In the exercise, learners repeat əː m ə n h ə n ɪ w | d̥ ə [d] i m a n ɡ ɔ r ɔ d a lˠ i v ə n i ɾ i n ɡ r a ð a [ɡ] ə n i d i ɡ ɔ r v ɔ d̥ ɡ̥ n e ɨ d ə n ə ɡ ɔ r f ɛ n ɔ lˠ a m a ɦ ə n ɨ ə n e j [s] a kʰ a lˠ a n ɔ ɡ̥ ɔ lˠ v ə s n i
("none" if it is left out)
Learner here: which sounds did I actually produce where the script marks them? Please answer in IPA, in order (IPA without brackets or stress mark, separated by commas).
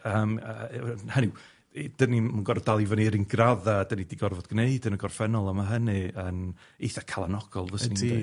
n, d, θ